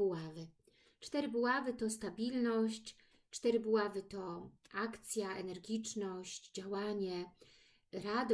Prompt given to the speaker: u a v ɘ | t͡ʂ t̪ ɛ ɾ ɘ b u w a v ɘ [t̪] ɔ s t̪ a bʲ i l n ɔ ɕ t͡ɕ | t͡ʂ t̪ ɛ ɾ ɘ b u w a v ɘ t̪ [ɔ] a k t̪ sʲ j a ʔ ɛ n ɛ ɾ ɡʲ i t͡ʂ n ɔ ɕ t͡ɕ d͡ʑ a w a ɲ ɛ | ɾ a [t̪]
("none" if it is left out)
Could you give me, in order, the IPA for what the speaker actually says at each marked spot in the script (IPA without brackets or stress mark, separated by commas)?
t̪, ɔ, d̪